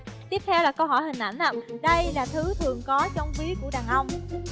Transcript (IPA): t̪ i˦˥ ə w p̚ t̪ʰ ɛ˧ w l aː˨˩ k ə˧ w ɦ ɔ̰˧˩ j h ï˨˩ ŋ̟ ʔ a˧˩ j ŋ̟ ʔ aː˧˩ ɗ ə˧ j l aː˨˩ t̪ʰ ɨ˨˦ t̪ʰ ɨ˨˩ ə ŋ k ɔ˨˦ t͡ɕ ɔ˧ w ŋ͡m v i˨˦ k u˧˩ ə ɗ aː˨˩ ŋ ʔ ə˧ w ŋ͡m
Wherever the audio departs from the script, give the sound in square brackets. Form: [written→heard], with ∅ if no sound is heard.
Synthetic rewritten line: t̪ i˦˥ ə [w→∅] p̚ t̪ʰ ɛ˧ w l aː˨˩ k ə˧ w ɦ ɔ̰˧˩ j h ï˨˩ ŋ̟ ʔ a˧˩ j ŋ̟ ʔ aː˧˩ ɗ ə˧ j l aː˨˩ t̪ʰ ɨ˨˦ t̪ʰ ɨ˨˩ ə ŋ k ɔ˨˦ t͡ɕ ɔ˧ w ŋ͡m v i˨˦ k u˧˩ ə ɗ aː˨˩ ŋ ʔ ə˧ w ŋ͡m